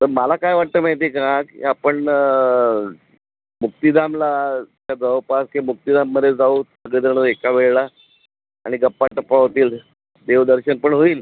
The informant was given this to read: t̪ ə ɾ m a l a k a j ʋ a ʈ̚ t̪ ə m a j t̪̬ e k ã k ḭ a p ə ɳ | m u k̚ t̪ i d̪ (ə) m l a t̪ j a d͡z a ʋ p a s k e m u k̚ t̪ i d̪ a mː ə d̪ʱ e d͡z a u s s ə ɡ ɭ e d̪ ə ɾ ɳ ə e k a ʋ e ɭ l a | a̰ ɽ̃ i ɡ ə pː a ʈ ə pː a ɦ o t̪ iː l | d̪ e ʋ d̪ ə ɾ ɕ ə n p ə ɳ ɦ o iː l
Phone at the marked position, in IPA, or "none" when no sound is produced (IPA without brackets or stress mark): a